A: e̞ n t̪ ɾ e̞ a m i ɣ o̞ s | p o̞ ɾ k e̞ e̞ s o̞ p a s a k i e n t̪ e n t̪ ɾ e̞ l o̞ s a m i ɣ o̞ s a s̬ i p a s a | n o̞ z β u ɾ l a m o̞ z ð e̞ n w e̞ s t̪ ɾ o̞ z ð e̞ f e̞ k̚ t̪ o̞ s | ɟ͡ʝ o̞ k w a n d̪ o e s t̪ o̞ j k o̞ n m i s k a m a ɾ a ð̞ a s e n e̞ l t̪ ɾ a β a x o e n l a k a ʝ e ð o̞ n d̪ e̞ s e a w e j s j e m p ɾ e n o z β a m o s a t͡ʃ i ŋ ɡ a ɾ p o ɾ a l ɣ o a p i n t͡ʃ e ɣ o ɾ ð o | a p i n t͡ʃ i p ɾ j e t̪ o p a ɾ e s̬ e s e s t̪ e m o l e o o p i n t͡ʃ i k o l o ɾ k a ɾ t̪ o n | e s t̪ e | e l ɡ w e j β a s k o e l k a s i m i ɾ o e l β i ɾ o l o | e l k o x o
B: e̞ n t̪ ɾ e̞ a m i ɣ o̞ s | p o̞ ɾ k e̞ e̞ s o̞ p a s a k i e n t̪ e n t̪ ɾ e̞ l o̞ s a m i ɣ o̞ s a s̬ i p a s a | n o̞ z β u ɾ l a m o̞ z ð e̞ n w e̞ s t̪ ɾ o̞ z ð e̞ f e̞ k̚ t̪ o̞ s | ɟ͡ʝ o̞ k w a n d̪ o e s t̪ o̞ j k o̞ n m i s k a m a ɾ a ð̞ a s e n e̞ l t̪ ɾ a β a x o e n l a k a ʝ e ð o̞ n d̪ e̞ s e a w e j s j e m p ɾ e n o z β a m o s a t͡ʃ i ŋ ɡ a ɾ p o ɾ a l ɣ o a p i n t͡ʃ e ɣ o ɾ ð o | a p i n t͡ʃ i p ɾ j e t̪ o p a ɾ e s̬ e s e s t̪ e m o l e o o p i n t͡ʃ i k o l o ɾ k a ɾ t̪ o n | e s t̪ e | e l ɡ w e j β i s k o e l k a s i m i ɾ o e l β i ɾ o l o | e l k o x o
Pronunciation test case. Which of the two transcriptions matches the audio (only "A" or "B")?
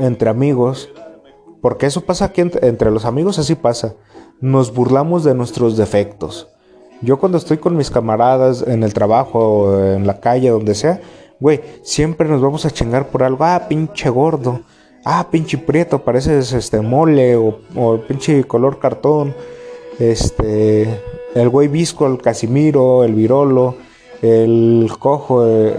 B